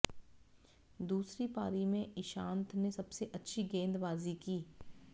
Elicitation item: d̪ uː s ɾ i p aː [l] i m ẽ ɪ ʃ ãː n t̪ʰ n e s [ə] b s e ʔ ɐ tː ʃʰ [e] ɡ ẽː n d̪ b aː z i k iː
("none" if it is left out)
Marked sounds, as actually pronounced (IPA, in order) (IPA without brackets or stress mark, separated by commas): ɾ, ɐ, i